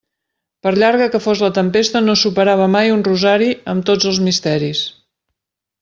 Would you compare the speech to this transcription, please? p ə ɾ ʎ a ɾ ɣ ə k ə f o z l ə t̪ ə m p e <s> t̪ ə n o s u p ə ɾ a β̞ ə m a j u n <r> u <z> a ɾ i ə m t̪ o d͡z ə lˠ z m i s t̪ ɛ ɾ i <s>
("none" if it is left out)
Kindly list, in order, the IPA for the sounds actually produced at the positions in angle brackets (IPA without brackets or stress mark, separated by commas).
s, r, z, s